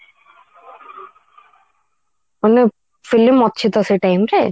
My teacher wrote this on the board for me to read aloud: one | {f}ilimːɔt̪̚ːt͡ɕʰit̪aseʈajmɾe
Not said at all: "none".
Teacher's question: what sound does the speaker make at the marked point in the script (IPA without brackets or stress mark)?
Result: f